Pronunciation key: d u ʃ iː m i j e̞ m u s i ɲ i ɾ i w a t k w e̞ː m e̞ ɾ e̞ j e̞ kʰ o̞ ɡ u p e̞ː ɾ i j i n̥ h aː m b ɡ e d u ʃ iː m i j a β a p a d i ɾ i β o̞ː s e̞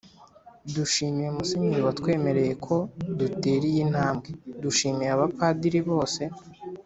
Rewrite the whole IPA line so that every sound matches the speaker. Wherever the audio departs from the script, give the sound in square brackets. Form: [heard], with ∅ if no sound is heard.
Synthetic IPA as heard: d u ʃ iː m i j e̞ m u s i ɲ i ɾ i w a t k w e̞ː m e̞ ɾ e̞ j e̞ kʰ o̞ [d] u [t] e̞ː ɾ i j i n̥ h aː m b ɡ e d u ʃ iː m i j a β a p a d i ɾ i β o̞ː s e̞